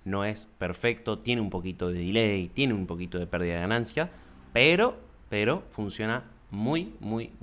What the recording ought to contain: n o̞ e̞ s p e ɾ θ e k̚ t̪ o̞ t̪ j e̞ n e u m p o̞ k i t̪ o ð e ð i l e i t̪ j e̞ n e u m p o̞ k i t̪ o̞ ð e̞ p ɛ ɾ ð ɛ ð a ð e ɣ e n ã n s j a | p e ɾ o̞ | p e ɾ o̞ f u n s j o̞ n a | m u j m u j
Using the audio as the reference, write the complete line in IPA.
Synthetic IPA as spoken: n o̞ e̞ s p e ɾ f e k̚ t̪ o̞ t̪ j e̞ n e u m p o̞ k i t̪ o ð e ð i l e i t̪ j e̞ n e u m p o̞ k i t̪ o̞ ð e̞ p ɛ ɾ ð i ð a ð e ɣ a n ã n s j a | p e ɾ o̞ | p e ɾ o̞ f u n s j o̞ n a | m u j m u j